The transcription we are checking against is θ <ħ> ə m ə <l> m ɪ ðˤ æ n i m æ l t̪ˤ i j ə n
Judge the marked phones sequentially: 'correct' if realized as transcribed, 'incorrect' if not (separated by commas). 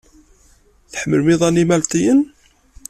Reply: correct, correct